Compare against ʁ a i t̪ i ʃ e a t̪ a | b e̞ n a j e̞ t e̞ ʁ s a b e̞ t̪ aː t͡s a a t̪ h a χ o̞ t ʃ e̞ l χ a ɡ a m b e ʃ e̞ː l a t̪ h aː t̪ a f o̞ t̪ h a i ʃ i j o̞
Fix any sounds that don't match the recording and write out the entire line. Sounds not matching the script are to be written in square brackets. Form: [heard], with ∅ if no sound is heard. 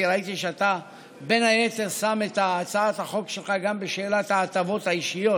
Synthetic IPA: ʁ a i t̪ i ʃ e a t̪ a | b e̞ n a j e̞ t e̞ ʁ s a [m] e̞ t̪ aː t͡s a a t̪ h a χ o̞ [k] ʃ e̞ l χ a ɡ a m b e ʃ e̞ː l a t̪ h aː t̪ a [v] o̞ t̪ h a i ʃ i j o̞